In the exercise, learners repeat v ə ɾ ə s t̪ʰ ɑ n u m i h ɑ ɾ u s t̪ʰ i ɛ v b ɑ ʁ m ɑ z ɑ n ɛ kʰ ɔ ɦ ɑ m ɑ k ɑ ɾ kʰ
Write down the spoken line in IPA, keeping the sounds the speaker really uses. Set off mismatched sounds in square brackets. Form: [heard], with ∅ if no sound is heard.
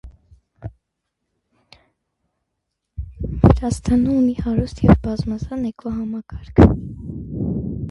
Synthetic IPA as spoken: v ə ɾ [ɑ] s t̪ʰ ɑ n u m i h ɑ ɾ u s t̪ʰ [j] ɛ v b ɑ [z] m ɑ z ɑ n ɛ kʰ ɔ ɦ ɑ m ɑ k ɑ ɾ kʰ